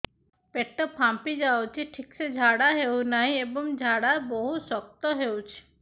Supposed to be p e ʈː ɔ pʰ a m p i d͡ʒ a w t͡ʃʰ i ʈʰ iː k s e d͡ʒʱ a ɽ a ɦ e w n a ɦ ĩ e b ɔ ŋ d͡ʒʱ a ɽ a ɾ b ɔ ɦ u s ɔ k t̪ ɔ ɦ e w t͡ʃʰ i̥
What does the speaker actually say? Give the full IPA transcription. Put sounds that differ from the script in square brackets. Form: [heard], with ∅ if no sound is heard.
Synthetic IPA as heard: p e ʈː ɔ pʰ a m p i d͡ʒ a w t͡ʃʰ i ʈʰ [i] k s e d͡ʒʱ a ɽ a ɦ e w n a ɦ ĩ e b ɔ ŋ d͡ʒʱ a ɽ a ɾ b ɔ ɦ u s ɔ k t̪ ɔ ɦ e w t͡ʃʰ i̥